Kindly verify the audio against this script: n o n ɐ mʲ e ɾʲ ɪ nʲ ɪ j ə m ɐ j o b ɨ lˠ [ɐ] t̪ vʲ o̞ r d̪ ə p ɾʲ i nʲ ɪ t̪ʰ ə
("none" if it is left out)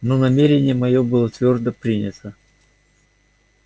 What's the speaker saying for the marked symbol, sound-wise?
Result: ə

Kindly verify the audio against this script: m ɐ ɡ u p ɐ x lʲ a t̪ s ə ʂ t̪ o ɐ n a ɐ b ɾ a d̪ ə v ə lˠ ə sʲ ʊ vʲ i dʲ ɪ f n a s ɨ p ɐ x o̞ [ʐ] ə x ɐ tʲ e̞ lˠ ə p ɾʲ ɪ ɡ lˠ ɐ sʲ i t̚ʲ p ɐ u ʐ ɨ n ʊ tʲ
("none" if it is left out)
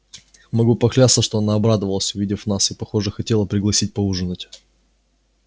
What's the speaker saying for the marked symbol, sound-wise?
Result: ʐ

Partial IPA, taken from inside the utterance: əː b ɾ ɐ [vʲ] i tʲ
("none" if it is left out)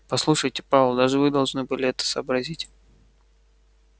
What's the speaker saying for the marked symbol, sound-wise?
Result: zʲ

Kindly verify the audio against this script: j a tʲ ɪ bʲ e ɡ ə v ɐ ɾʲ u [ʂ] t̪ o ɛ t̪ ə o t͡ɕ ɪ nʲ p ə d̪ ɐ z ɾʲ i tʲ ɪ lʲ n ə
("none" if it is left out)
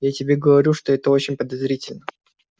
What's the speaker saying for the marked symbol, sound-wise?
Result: ʂ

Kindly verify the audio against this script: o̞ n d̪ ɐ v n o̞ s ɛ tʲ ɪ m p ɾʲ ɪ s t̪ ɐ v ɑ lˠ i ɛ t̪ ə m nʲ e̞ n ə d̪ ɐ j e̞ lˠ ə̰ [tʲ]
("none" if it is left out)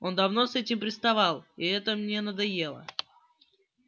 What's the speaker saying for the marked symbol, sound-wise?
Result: none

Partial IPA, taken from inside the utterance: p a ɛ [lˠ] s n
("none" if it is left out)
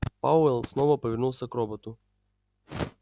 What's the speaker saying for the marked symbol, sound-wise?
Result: lˠ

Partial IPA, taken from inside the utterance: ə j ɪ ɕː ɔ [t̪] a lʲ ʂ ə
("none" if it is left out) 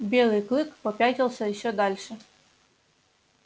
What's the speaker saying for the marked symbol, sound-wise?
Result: d̪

